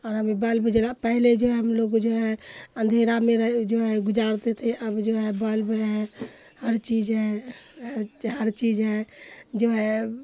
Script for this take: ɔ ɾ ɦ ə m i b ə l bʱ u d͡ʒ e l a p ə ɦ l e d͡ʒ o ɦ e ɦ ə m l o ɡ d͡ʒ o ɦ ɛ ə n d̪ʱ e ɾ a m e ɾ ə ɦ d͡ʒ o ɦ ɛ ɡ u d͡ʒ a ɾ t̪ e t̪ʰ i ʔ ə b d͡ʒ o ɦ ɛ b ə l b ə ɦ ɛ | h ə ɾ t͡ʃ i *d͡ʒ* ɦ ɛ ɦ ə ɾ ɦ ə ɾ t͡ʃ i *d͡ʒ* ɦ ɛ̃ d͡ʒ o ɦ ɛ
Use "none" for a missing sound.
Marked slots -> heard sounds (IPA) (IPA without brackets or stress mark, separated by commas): d͡ʒ, d͡ʒ